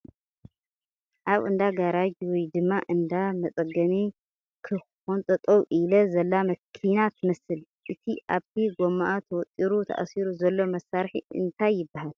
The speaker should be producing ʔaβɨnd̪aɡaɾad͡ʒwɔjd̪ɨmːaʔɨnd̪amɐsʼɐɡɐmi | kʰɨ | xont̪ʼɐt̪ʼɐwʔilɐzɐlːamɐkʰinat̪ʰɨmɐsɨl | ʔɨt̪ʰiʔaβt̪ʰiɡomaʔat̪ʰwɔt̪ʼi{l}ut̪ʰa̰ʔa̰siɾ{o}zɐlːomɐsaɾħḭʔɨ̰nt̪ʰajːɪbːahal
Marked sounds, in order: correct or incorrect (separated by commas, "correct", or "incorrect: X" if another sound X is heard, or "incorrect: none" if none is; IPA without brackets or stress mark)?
incorrect: ɾ, incorrect: u